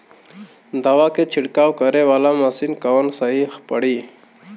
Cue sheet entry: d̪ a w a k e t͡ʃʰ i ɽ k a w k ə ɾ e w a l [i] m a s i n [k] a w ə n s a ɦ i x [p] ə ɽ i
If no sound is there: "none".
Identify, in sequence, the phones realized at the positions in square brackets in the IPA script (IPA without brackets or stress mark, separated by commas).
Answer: a, k, p